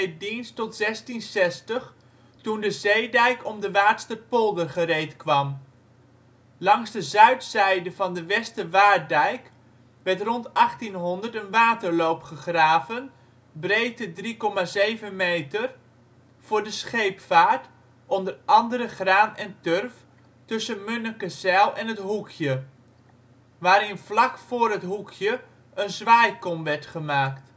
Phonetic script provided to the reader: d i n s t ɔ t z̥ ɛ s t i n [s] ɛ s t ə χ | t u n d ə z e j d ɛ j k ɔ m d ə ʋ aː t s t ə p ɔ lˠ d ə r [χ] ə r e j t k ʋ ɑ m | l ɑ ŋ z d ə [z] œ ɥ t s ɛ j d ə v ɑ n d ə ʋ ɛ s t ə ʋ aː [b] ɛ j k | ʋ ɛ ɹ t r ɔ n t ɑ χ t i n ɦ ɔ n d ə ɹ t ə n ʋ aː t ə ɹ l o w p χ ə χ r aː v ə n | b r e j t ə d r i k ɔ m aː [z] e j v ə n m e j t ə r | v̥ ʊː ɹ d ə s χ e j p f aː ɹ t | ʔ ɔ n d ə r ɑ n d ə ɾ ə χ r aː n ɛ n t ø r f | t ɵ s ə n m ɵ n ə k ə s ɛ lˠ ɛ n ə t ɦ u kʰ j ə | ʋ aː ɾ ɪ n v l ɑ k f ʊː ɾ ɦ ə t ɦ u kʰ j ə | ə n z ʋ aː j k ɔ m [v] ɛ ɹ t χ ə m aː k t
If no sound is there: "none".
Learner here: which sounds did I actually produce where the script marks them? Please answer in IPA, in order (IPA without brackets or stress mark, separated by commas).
s, χ, z, d, z, ʋ